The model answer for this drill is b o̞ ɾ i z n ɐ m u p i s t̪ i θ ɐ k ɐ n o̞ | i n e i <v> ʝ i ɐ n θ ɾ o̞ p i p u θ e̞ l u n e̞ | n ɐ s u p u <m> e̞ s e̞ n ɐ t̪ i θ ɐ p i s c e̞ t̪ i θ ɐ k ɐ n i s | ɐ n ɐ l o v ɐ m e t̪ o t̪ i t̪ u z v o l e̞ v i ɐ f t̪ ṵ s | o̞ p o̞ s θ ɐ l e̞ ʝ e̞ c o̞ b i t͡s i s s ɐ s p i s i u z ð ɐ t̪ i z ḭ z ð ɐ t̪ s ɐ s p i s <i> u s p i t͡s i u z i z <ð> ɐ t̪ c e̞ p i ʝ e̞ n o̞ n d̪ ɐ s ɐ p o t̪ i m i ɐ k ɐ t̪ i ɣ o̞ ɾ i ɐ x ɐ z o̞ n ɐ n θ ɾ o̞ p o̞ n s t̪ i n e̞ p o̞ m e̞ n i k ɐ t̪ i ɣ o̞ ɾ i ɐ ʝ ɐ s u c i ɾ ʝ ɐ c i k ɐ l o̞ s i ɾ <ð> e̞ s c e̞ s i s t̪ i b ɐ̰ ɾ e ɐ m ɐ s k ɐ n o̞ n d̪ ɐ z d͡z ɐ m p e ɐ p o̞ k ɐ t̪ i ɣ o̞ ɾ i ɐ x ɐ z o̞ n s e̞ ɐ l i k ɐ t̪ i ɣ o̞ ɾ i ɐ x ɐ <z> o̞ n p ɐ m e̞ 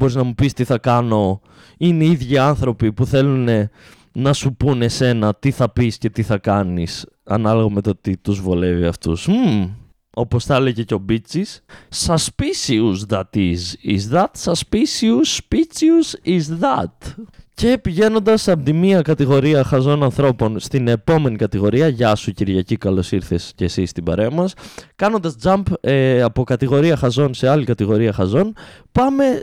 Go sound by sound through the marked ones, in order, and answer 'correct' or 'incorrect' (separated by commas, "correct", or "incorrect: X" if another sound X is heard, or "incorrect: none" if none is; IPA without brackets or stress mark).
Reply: incorrect: ð, incorrect: n, correct, correct, incorrect: θ, correct